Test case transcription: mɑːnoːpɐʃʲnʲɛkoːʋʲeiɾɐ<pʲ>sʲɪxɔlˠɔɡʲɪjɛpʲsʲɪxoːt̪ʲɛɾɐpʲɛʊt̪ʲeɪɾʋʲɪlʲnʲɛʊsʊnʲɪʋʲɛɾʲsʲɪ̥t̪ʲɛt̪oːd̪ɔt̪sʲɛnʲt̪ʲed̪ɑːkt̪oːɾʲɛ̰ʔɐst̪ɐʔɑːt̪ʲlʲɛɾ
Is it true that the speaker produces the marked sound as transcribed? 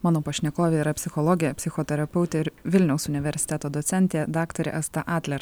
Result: yes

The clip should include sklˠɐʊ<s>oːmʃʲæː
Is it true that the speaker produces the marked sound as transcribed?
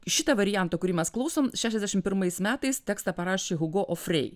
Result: yes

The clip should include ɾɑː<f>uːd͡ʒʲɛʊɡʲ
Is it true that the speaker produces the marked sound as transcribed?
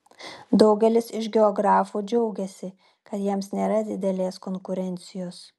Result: yes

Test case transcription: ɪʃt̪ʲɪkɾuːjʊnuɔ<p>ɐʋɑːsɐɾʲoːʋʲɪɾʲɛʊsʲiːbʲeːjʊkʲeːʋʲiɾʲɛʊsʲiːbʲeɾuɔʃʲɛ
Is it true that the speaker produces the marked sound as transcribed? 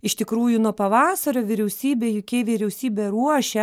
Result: yes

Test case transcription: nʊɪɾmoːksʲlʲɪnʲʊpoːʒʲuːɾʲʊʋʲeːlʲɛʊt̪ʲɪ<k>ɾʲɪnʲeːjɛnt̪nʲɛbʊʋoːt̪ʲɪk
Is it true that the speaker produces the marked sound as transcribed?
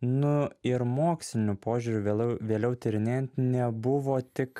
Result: no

